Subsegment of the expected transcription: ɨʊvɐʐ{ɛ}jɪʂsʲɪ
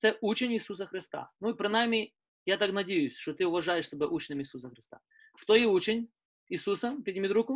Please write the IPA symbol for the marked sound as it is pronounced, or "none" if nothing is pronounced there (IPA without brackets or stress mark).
a